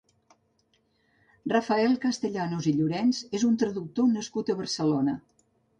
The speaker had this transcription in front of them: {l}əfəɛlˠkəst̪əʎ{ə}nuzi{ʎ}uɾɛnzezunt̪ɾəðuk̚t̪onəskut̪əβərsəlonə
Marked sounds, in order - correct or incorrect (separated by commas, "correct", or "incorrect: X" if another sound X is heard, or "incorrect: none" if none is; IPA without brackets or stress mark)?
incorrect: r, incorrect: a, correct